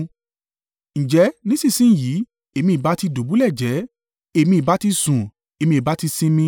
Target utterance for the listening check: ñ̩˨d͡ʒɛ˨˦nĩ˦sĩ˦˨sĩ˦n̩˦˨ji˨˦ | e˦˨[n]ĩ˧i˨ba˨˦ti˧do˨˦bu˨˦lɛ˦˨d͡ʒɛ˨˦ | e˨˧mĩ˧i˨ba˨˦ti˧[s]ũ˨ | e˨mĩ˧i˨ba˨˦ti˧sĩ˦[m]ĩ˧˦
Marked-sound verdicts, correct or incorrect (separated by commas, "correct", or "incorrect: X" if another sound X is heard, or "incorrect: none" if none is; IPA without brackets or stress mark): incorrect: m, correct, correct